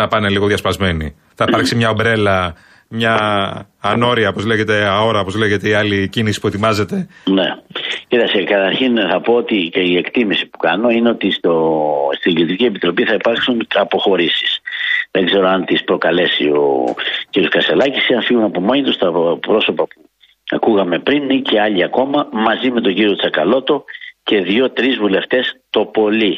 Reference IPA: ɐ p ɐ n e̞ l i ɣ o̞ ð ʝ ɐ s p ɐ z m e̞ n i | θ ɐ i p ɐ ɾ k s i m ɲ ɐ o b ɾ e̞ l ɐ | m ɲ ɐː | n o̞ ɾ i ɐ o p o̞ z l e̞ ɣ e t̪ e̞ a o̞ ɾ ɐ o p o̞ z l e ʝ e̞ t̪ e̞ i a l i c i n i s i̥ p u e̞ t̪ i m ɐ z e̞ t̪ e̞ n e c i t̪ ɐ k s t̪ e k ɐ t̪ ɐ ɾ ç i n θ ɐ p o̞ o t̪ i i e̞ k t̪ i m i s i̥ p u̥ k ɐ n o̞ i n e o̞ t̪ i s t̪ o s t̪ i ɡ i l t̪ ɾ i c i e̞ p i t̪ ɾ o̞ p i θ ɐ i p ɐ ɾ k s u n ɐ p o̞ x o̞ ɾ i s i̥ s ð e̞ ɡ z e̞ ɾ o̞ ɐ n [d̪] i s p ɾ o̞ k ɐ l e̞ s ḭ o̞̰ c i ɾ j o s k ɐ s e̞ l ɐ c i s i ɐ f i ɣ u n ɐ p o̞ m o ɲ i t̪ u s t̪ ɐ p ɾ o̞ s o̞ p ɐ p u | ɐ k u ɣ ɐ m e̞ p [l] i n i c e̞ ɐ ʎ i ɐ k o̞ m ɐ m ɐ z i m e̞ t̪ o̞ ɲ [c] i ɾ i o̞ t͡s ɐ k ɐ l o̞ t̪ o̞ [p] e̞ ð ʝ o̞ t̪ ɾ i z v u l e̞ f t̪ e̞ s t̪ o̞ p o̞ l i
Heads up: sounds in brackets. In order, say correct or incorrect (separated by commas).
incorrect, incorrect, incorrect, incorrect